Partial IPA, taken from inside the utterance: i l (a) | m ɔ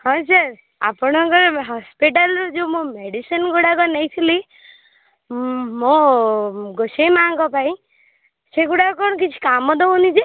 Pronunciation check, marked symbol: incorrect: i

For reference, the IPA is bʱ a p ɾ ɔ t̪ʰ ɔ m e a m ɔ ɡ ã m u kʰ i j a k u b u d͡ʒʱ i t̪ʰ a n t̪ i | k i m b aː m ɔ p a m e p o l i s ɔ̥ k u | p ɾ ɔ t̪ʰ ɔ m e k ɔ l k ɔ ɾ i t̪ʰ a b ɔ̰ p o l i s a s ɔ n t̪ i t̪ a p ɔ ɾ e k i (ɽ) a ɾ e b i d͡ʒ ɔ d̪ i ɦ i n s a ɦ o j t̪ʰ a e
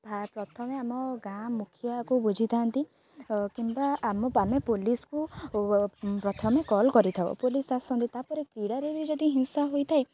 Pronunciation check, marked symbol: correct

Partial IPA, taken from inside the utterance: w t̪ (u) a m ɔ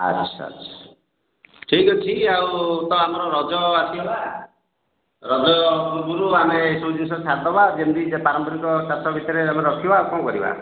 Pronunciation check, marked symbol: incorrect: ɔ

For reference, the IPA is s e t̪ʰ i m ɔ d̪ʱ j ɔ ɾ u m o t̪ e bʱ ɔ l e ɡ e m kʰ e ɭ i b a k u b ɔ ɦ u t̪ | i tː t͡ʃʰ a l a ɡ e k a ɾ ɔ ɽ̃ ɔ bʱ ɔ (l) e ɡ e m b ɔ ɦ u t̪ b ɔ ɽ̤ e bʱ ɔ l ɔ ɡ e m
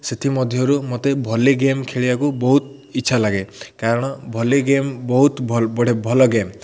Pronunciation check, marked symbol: correct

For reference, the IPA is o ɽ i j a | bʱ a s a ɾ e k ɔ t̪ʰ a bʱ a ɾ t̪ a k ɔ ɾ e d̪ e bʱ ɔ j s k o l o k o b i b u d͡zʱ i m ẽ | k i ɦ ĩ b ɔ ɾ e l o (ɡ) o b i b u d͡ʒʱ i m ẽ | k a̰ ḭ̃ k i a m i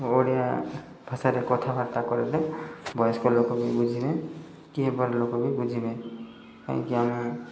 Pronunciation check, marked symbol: incorrect: k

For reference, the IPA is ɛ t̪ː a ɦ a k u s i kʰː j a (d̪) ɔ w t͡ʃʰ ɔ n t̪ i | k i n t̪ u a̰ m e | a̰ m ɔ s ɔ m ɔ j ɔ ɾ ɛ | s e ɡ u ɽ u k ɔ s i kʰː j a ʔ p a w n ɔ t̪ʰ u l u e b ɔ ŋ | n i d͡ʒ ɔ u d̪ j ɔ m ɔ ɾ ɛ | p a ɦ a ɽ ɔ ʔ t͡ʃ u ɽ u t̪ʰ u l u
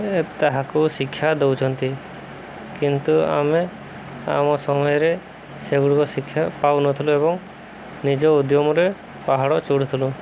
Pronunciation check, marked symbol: correct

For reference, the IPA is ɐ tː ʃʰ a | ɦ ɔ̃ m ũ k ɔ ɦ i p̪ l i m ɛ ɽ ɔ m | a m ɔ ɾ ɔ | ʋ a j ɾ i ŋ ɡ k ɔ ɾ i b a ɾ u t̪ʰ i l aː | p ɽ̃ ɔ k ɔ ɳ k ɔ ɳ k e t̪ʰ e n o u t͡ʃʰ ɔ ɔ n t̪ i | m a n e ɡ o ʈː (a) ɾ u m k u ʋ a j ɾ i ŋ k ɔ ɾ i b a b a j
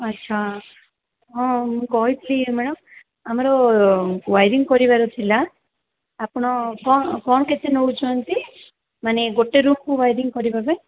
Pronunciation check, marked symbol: incorrect: e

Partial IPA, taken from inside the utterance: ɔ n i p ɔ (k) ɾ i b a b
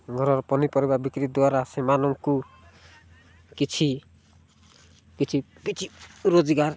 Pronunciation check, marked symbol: incorrect: none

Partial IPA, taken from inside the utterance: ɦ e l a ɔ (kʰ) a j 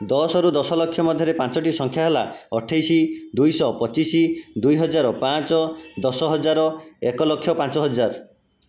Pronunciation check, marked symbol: incorrect: ʈʰ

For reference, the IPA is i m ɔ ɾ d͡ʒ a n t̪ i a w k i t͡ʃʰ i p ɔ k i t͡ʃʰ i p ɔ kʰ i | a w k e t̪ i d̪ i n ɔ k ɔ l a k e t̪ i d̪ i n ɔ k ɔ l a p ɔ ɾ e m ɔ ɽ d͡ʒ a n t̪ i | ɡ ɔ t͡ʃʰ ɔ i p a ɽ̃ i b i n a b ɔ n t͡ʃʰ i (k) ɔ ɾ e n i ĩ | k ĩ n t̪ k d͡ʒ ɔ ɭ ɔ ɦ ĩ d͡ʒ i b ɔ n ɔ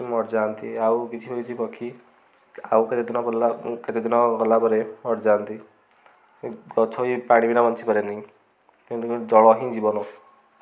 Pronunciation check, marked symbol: incorrect: p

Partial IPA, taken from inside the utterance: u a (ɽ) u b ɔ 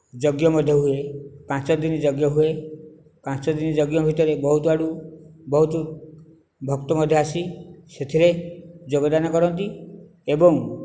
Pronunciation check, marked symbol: correct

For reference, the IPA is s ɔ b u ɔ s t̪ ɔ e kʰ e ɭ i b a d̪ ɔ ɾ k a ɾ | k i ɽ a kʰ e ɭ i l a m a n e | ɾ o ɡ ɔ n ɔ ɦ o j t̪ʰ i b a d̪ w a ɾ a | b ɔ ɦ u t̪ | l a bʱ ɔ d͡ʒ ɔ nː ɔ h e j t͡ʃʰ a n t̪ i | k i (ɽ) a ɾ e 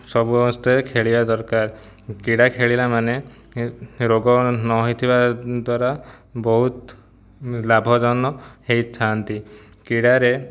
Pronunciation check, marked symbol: correct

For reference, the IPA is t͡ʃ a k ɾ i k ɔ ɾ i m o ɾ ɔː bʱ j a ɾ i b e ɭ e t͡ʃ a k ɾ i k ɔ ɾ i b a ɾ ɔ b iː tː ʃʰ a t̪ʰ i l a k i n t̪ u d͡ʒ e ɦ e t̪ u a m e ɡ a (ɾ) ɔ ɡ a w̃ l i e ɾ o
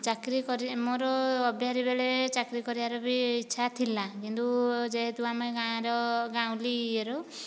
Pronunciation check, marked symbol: correct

